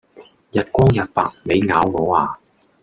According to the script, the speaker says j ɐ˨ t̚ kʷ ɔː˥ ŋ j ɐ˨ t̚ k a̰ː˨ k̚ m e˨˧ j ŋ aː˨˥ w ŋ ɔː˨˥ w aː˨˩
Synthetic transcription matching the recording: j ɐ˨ t̚ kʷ ɔː˥ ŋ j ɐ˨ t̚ p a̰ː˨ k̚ m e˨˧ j ŋ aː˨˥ w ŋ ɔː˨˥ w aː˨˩